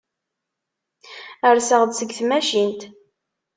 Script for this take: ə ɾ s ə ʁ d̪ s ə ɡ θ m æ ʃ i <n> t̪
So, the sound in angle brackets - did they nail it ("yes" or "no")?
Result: yes